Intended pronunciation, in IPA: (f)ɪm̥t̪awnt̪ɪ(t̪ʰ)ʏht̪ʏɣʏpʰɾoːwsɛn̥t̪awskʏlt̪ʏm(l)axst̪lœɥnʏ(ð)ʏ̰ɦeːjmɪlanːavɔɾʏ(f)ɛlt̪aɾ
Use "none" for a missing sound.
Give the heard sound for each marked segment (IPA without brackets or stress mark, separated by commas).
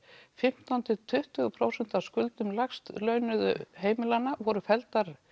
f, t̪ʰ, l, ð, f